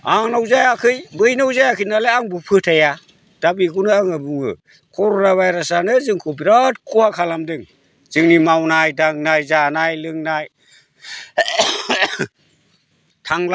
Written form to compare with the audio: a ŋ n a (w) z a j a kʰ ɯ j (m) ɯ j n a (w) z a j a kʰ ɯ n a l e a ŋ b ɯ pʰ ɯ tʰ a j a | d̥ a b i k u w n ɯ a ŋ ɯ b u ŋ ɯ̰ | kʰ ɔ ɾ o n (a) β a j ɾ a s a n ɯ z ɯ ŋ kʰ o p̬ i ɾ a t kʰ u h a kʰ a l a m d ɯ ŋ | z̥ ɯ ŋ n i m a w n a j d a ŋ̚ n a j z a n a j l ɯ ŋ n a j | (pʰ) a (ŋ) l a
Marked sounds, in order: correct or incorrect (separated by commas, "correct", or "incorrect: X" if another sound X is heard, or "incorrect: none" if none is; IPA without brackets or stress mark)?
correct, incorrect: b, correct, correct, incorrect: tʰ, correct